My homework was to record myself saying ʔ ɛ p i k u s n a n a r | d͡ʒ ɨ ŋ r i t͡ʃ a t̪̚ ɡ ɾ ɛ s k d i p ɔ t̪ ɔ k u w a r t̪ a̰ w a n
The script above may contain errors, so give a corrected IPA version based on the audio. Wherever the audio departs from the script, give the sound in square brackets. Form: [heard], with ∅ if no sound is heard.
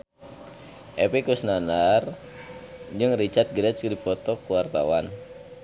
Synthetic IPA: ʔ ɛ p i k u s n a n a r | d͡ʒ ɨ ŋ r i t͡ʃ a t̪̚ ɡ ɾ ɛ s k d i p ɔ t̪ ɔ k u w a r t̪ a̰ w a n